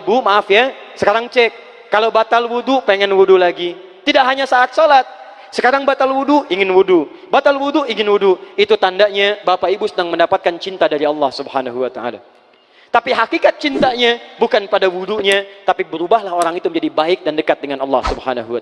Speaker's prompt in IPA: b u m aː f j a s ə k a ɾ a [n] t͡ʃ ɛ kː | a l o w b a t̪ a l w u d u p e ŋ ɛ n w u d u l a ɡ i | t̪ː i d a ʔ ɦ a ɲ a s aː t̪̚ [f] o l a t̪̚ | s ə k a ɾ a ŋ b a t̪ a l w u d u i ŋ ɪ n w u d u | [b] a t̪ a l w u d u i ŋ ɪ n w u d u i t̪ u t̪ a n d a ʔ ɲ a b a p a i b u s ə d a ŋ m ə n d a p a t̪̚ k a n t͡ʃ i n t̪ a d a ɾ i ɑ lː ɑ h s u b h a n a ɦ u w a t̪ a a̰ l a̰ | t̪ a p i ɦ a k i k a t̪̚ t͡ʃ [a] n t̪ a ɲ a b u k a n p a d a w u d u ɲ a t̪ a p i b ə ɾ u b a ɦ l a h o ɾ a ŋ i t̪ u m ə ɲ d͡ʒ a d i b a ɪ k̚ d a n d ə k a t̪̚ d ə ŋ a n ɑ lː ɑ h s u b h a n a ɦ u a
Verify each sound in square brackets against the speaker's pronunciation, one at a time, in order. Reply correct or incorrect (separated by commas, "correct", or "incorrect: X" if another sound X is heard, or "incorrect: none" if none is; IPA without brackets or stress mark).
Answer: incorrect: ŋ, incorrect: s, correct, incorrect: i